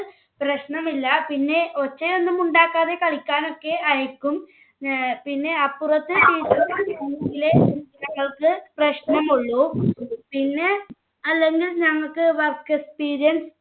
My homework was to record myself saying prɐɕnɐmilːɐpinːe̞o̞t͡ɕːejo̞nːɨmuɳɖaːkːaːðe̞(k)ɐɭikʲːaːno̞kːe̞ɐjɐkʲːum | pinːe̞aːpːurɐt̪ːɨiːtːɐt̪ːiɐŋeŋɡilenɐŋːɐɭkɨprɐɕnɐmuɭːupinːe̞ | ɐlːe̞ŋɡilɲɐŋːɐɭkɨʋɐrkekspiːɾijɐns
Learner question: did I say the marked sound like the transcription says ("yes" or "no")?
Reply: yes